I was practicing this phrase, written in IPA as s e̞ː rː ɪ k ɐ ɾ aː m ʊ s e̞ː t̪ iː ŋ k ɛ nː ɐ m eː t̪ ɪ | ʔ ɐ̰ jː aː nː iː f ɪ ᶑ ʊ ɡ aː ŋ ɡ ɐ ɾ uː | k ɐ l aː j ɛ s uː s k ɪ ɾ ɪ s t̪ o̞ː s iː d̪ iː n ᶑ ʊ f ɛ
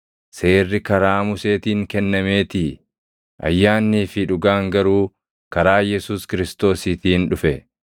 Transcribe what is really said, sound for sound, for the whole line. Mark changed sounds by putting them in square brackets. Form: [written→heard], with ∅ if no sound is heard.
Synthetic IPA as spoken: s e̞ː rː ɪ k ɐ ɾ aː m ʊ s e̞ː t̪ iː ŋ k ɛ nː ɐ m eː t̪ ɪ | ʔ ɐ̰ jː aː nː iː f ɪ ᶑ ʊ ɡ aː ŋ ɡ ɐ ɾ uː | k ɐ [l→ɾ] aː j ɛ s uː s k ɪ ɾ ɪ s t̪ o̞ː s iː [d̪→t̪] iː n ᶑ ʊ f ɛ